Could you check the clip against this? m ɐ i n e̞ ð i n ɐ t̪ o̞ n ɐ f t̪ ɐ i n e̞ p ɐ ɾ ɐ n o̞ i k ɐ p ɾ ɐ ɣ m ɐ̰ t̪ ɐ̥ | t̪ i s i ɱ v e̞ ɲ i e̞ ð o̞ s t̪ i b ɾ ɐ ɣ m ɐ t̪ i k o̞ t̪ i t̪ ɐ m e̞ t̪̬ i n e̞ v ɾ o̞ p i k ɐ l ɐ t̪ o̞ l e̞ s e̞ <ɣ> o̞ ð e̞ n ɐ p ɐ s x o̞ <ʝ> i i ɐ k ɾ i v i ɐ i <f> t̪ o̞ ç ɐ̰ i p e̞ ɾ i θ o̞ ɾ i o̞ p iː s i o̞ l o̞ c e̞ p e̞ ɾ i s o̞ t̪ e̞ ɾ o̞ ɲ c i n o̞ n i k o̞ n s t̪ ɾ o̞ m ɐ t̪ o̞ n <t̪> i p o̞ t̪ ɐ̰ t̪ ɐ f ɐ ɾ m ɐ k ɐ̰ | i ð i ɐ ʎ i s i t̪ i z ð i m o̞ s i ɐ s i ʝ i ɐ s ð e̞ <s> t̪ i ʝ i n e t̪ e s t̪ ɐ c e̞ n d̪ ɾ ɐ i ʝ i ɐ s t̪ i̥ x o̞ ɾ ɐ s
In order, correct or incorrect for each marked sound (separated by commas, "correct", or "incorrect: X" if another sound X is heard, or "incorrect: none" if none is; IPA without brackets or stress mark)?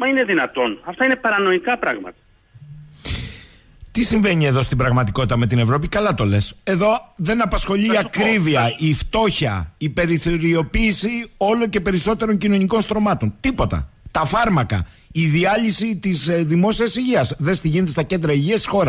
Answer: incorrect: ð, incorrect: ʎ, correct, correct, correct